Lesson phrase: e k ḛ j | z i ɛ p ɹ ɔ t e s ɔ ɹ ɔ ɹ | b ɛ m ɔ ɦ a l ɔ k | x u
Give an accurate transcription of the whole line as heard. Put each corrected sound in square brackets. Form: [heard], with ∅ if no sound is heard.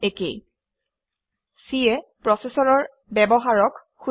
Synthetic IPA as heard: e k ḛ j | [s] i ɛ p ɹ ɔ [s] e s ɔ ɹ ɔ ɹ | b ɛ [b] ɔ ɦ a [ɹ] ɔ k | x u

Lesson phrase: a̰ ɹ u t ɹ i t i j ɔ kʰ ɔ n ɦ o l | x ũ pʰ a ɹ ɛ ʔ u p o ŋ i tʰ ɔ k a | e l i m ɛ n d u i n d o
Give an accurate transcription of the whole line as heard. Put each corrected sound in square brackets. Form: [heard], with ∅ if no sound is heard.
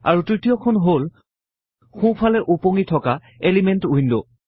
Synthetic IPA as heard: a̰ ɹ u t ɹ i t i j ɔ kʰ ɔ n ɦ o l | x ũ pʰ a [l] ɛ ʔ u p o ŋ i tʰ ɔ k a | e l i m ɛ n [t] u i n d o

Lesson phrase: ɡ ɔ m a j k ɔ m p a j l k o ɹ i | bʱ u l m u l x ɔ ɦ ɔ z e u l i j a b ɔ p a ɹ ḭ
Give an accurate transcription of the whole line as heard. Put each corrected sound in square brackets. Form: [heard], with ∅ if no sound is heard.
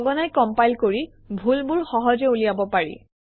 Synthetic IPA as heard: ɡ ɔ [n] a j k ɔ m p a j l k o ɹ i | bʱ u l [b] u l x ɔ ɦ ɔ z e u l i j a b ɔ p a ɹ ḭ

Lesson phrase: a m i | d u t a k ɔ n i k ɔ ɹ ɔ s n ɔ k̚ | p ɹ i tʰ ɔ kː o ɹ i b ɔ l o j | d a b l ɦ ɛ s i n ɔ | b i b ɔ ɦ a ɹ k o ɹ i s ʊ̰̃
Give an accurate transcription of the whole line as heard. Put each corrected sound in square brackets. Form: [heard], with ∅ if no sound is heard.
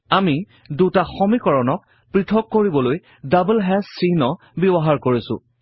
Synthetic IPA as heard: a m i | d u t a [x] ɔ [m] i k ɔ ɹ ɔ [∅] n ɔ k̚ | p ɹ i tʰ ɔ kː o ɹ i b ɔ l o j | d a b l ɦ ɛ s i n ɔ | b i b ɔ ɦ a ɹ k o ɹ i s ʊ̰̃

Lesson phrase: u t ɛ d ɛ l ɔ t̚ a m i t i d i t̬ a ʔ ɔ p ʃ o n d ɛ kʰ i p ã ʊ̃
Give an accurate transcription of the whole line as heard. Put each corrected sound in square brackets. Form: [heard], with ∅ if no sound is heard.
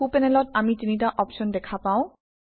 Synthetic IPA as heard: u [p] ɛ [n] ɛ l ɔ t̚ a m i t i [n] i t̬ a ʔ ɔ p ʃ [ɔ] n d ɛ kʰ [a] p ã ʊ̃

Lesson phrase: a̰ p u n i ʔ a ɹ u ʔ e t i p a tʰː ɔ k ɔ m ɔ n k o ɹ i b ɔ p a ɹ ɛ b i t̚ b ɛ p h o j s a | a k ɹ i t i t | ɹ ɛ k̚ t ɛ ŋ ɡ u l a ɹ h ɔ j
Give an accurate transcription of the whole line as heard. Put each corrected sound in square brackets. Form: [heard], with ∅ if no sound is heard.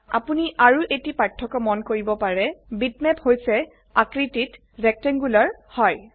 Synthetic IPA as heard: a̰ p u n i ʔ a ɹ u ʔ e t i p a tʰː ɔ k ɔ m ɔ n k o ɹ i b ɔ p a ɹ ɛ b i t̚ [m] ɛ p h o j s [ɛ] | a k ɹ i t i t | ɹ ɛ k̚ t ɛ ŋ ɡ u l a ɹ h ɔ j

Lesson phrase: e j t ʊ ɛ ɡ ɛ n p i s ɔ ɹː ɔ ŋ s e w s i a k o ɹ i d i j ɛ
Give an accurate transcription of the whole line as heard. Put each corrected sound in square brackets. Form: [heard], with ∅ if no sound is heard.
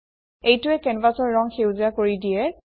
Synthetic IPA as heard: e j t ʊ ɛ [k] ɛ n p [a] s ɔ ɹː ɔ ŋ [x] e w [z] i a k o ɹ i d i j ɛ

